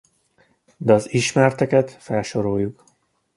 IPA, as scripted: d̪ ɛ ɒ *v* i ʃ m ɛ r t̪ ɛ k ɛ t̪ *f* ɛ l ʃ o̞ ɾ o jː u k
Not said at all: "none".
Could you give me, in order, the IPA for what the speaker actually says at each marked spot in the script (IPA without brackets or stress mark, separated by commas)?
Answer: z, f